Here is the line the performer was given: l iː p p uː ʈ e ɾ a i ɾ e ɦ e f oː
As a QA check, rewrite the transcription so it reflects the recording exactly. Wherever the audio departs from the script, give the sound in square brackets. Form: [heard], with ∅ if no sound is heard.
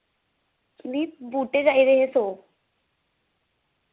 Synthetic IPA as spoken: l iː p [b] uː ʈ e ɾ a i ɾ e ɦ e [s] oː